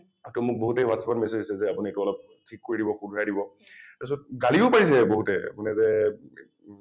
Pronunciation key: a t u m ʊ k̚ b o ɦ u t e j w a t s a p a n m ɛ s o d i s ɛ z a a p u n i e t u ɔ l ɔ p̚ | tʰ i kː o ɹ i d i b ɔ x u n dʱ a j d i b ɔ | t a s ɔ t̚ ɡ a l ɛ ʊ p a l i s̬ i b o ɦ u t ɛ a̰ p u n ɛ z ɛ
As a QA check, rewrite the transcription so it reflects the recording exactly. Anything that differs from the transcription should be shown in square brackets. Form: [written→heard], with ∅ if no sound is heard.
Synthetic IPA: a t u m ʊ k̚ b o ɦ u t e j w a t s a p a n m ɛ s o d i s ɛ z [a→ɛ] a p u n i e t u ɔ l ɔ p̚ | tʰ i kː o ɹ i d i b ɔ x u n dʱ a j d i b ɔ | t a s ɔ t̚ ɡ a l [ɛ→i] ʊ p a [l→ɹ] i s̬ [i→ɛ] b o ɦ u t ɛ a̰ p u n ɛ z ɛ